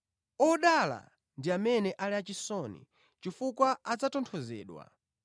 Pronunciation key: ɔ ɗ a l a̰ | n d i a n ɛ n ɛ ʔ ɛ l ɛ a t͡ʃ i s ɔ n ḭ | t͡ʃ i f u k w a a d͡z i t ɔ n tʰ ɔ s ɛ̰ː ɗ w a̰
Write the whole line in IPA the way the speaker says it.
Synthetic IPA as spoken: ɔ ɗ a l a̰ | n d i a m ɛ n ɛ ʔ a l ɛ a t͡ʃ i s ɔ n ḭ | t͡ʃ i f u k w a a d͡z a t ɔ n tʰ ɔ z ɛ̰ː ɗ w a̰